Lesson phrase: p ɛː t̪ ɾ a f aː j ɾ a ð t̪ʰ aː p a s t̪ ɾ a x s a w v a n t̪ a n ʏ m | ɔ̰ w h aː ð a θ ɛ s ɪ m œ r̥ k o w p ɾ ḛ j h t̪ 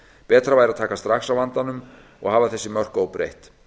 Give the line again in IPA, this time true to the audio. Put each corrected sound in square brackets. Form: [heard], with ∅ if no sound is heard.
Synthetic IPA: p ɛː t̪ ɾ a [v] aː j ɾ a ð t̪ʰ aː [k] a s t̪ ɾ a x s a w v a n t̪ a n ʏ m | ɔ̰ [ɣ] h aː [v] a θ ɛ [sː] ɪ m œ r̥ k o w p ɾ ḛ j h t̪